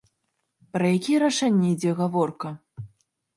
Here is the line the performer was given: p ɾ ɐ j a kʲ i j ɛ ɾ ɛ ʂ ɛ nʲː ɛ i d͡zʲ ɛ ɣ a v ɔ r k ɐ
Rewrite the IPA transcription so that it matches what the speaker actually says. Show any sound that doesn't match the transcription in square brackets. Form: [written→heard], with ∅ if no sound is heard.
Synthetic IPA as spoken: p ɾ ɐ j a kʲ i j ɛ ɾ [ɛ→a] ʂ ɛ nʲː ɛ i d͡zʲ ɛ ɣ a v ɔ r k ɐ

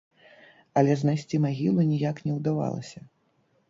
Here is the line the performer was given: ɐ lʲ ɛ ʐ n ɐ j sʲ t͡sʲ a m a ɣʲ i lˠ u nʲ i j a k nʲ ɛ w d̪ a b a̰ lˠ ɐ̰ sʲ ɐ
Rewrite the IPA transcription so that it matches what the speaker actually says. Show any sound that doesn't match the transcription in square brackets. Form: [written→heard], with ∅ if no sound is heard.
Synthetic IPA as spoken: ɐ lʲ ɛ [ʐ→z] n [ɐ→a] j sʲ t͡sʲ [a→i] m a ɣʲ i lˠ u nʲ i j a k nʲ ɛ w d̪ a [b→v] a̰ lˠ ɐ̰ sʲ ɐ

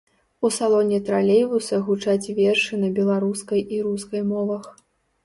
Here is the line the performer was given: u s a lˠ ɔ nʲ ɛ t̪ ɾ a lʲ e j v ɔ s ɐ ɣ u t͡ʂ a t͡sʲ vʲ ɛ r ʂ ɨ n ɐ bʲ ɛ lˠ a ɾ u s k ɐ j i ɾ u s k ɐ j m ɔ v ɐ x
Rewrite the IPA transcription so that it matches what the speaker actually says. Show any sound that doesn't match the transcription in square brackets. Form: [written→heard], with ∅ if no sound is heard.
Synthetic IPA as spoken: u s a lˠ ɔ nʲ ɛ t̪ ɾ a lʲ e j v [ɔ→u] s ɐ ɣ u t͡ʂ a t͡sʲ vʲ ɛ r ʂ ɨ n ɐ bʲ ɛ lˠ a ɾ u s k ɐ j i ɾ u s k ɐ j m ɔ v ɐ x

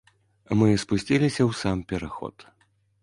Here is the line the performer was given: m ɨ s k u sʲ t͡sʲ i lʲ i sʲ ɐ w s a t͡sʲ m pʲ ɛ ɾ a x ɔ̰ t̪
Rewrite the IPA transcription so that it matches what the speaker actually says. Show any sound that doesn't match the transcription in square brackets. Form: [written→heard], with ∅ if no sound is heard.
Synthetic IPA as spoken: m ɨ s [k→p] u sʲ t͡sʲ i lʲ i sʲ ɐ w s a [t͡sʲ→∅] m pʲ ɛ ɾ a x ɔ̰ t̪

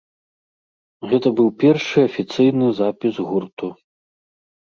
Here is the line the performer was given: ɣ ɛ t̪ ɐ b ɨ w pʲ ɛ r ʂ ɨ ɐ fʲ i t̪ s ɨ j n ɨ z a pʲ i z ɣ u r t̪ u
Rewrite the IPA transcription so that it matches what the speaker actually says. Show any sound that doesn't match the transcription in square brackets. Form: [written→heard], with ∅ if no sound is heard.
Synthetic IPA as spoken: ɣ ɛ t̪ ɐ b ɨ w pʲ ɛ r ʂ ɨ ɐ fʲ i t̪ s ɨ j n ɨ z a pʲ i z ɣ u r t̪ u

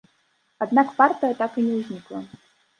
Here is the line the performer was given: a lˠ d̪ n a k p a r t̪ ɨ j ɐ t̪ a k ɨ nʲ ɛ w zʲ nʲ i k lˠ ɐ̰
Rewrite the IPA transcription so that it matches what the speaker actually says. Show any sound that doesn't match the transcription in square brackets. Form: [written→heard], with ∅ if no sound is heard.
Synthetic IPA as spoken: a [lˠ→∅] d̪ n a k p a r t̪ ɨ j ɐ t̪ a k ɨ nʲ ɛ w zʲ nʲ i k lˠ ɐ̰

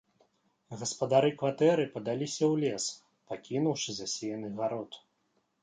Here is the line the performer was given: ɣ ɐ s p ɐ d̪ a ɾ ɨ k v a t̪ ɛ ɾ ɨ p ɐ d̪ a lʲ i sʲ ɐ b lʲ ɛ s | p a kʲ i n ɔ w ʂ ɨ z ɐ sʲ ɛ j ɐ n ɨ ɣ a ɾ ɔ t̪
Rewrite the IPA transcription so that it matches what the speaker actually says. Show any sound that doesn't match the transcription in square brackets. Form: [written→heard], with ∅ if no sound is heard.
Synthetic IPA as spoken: ɣ ɐ s p ɐ d̪ a ɾ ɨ k v a t̪ ɛ ɾ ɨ p ɐ d̪ a lʲ i sʲ ɐ [b→w] lʲ ɛ s | p a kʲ i n [ɔ→u] w ʂ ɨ z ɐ sʲ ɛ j ɐ n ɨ ɣ a ɾ ɔ t̪

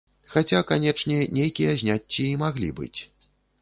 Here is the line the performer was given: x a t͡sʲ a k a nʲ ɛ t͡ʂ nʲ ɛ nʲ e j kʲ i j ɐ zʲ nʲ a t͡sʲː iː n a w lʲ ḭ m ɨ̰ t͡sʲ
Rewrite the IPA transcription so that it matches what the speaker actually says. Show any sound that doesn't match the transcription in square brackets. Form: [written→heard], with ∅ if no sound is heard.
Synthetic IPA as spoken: x a t͡sʲ a k a nʲ ɛ t͡ʂ nʲ ɛ nʲ e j kʲ i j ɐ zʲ nʲ a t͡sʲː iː [n→m] a [w→ɣ] lʲ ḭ [m→b] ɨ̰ t͡sʲ

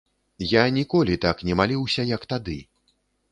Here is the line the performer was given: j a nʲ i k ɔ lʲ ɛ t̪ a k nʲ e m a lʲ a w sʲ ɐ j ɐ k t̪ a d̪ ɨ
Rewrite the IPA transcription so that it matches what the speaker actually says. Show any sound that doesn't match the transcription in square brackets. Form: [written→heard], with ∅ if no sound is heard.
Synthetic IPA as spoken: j a nʲ i k ɔ lʲ [ɛ→i] t̪ a k nʲ [e→ɛ] m a lʲ [a→i] w sʲ ɐ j ɐ k t̪ a d̪ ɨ

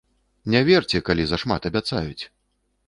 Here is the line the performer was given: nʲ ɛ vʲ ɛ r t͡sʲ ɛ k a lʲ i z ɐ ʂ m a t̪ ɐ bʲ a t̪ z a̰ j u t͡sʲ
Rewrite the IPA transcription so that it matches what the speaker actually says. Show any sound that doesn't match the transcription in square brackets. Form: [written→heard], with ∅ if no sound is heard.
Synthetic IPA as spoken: nʲ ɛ vʲ ɛ r t͡sʲ ɛ k a lʲ i z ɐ ʂ m a t̪ ɐ bʲ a t̪ [z→s] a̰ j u t͡sʲ

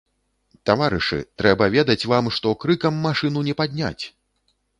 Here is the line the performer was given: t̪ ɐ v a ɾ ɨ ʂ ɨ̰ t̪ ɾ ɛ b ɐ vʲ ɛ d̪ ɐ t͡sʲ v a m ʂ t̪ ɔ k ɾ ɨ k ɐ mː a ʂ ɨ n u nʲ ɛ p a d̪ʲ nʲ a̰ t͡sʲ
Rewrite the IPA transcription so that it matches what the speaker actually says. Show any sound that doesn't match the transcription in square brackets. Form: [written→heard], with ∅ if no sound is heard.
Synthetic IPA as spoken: t̪ [ɐ→a] v a ɾ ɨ ʂ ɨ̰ t̪ ɾ ɛ b ɐ vʲ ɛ d̪ ɐ t͡sʲ v a m ʂ t̪ ɔ k ɾ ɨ k ɐ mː a ʂ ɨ n u nʲ ɛ p a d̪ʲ nʲ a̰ t͡sʲ

